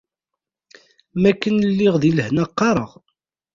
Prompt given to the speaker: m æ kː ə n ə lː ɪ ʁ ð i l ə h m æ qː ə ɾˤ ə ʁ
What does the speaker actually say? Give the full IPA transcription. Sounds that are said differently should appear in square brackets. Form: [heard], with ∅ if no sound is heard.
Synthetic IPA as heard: m æ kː ə n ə lː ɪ ʁ ð i l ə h [n] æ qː [ɑ] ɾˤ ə ʁ